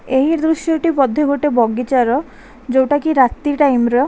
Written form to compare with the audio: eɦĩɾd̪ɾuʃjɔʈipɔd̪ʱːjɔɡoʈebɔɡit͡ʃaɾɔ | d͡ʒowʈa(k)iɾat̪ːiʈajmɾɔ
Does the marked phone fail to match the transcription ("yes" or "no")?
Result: no